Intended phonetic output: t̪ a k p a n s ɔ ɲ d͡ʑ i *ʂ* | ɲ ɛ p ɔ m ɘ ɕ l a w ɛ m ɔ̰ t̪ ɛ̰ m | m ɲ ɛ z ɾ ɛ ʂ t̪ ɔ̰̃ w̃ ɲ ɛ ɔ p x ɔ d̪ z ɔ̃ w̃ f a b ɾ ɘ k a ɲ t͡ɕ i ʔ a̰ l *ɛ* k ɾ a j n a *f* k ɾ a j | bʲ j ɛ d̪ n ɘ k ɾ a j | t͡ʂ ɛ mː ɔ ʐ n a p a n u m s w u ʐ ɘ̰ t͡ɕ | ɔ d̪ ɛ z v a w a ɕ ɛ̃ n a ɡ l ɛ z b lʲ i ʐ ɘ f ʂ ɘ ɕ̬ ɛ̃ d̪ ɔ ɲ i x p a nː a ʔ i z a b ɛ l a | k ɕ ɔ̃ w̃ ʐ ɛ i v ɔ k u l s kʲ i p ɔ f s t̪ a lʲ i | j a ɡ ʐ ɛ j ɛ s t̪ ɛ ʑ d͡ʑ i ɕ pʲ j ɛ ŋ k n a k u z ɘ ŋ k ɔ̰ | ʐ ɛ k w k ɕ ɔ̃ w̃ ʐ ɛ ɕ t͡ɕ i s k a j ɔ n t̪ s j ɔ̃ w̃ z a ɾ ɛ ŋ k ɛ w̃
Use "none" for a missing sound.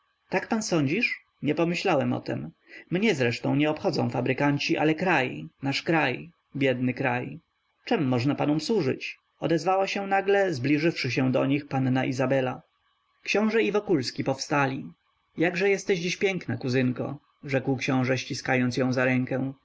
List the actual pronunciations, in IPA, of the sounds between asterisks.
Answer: ʂ, ɛ, ʂ

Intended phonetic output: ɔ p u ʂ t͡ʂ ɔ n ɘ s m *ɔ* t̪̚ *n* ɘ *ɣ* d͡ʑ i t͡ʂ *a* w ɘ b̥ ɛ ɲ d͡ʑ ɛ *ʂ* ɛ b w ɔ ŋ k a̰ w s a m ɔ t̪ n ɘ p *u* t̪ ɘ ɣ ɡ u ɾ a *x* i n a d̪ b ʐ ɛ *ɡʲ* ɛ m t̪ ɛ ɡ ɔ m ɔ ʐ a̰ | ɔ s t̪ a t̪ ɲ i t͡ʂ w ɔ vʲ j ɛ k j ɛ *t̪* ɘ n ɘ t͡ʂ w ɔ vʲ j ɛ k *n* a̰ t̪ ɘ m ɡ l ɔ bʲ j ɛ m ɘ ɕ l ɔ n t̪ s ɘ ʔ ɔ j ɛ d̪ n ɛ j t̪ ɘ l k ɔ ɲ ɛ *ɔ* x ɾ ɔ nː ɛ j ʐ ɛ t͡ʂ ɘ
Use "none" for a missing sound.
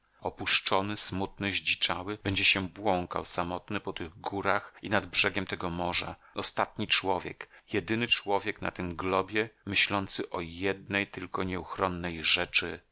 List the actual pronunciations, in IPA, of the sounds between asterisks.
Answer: u, n, ʑ, a, ɕ, ɔ, x, ɡʲ, d̪, n, u

